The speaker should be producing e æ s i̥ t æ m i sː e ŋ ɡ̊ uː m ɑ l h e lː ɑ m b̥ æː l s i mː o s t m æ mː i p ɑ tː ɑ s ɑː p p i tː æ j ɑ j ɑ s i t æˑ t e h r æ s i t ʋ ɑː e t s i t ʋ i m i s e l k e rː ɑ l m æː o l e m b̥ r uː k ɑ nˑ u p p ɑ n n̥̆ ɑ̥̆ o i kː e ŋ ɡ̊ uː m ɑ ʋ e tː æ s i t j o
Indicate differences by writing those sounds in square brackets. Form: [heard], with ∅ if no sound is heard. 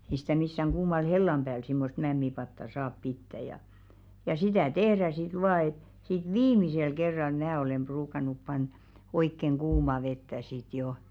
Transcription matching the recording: e [i] s i̥ t æ m i sː [æ] ŋ ɡ̊ uː m ɑ l h e lː ɑ m b̥ æː l s i mː o s t m æ mː i p ɑ tː ɑ s ɑː p p i tː æ j ɑ j ɑ s i t æˑ t e h r æ s i t ʋ ɑː e t s i t ʋ [iː] m i s e l k e rː ɑ l m æː o l e m b̥ r uː k ɑ nˑ u p p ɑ n n̥̆ ɑ̥̆ o i kː e ŋ ɡ̊ uː m ɑ ʋ e tː æ s i t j o